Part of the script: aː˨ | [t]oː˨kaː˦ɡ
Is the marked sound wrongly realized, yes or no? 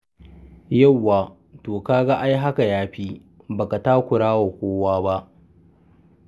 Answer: no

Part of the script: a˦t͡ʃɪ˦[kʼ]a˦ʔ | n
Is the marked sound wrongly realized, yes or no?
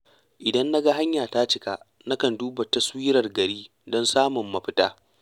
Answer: yes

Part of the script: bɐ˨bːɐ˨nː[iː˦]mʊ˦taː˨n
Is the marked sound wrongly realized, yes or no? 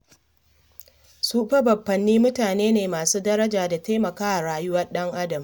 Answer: no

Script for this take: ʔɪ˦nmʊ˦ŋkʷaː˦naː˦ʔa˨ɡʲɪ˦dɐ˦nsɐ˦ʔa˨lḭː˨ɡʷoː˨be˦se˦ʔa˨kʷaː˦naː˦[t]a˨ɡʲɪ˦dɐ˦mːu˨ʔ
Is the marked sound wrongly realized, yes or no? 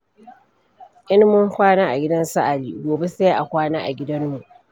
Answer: yes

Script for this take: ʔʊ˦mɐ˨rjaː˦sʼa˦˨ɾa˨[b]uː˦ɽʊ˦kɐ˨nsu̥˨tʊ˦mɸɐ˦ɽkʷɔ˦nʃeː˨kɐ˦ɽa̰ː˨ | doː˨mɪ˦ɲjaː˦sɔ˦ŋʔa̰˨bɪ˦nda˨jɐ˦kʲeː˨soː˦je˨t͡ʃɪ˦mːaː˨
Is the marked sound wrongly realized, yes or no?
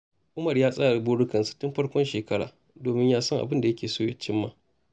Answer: no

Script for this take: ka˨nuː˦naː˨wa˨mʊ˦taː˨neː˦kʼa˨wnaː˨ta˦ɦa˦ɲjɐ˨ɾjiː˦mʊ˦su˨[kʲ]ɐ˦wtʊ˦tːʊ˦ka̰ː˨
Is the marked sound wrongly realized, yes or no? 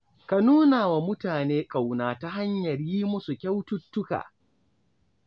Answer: no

